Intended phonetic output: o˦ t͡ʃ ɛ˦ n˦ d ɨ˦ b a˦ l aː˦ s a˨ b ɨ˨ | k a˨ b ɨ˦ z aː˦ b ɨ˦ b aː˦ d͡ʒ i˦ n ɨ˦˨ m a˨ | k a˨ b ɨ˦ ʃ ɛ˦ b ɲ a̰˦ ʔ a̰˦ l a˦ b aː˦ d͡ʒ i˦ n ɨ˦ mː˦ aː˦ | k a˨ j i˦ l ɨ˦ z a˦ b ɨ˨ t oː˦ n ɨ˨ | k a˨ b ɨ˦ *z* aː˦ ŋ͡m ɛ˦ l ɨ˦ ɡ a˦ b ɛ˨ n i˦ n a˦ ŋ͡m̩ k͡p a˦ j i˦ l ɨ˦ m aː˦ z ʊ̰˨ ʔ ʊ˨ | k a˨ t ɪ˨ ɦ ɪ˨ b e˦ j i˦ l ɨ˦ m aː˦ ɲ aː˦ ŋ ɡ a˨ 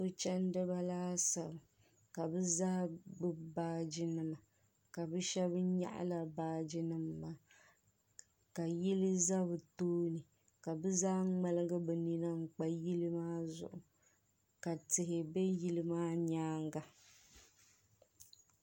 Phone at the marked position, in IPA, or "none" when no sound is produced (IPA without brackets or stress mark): z